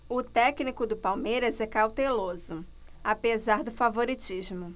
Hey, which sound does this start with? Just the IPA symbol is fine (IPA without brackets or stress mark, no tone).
ʊ